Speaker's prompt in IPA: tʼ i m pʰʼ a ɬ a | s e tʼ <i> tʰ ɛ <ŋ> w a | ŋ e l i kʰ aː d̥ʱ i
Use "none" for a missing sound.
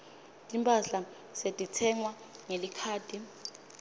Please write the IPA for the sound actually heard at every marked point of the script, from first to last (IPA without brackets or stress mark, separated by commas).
i, ŋ